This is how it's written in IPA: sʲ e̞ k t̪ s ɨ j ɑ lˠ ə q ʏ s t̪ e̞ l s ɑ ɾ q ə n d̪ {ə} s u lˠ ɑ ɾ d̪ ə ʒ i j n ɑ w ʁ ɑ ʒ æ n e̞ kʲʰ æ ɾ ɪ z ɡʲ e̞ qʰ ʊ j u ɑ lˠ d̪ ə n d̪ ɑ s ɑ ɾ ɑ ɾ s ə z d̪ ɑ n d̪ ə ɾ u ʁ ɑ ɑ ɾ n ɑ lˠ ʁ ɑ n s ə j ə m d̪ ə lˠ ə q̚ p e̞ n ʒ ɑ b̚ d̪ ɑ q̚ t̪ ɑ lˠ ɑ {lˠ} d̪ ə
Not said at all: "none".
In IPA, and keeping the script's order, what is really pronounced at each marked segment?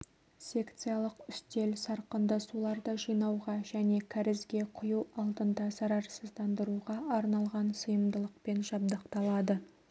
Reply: ɑ, none

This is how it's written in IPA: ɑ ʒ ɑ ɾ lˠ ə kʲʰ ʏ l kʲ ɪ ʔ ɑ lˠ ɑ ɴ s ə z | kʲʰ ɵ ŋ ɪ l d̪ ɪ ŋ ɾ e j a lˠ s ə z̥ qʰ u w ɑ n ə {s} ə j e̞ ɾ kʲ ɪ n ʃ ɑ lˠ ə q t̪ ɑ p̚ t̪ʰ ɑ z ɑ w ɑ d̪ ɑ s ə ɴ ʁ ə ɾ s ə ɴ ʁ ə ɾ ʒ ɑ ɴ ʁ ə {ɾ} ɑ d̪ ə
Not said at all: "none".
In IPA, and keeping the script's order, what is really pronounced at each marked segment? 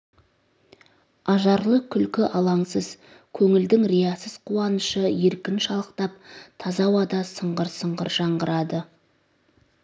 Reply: ʃ, ɾ

